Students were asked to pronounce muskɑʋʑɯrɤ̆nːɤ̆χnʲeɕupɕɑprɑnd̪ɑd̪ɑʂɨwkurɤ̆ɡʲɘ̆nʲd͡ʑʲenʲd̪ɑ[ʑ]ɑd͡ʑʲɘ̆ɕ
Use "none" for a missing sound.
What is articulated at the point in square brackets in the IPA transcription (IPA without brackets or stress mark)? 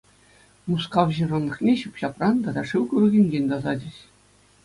z